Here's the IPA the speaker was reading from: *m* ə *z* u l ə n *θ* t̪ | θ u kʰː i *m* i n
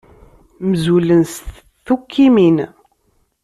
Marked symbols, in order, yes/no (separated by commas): yes, yes, no, yes